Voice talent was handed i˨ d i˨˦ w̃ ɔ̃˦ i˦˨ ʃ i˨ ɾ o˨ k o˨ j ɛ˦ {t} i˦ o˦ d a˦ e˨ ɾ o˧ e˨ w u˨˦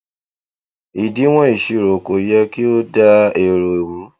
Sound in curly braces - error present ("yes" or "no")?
yes